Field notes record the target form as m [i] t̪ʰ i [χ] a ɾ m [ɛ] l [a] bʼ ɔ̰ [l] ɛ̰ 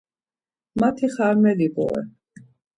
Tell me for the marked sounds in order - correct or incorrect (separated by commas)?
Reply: incorrect, correct, correct, incorrect, incorrect